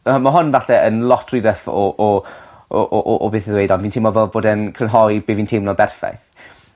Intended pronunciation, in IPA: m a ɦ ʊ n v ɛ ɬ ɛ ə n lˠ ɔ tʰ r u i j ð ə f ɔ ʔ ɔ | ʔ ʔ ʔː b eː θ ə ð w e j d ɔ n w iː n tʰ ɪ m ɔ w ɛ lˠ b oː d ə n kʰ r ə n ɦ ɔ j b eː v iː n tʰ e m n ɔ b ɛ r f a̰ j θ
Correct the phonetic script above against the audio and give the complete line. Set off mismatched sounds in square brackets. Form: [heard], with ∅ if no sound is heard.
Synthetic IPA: m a ɦ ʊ n v [a] ɬ ɛ ə n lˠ ɔ tʰ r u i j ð ə f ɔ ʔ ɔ | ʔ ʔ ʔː b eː θ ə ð w e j d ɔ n [v] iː n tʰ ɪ m ɔ [v] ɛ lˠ b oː d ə n kʰ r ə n ɦ ɔ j b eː v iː n tʰ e m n ɔ b ɛ r f a̰ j θ